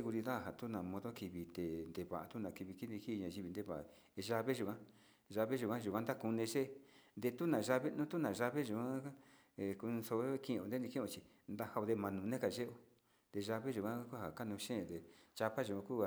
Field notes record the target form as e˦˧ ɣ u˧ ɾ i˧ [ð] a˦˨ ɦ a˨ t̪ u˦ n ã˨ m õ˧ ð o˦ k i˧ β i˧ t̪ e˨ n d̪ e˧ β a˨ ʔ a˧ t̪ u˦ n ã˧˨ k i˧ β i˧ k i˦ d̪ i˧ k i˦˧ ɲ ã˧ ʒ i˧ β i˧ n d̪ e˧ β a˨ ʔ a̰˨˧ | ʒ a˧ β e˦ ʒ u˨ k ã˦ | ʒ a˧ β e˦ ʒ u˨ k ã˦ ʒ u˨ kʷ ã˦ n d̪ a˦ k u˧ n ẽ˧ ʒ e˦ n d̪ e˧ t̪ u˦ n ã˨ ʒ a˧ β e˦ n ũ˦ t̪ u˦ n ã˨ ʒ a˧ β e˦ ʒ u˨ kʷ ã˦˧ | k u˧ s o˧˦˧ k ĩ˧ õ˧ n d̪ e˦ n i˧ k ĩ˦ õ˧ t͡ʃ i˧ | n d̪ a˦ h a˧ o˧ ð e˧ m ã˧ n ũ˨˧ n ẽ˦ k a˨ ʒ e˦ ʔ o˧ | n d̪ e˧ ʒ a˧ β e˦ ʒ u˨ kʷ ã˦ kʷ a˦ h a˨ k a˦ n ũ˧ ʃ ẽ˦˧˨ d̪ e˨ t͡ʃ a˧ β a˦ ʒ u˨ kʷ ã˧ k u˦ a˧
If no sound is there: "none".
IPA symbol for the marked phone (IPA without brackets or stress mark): ð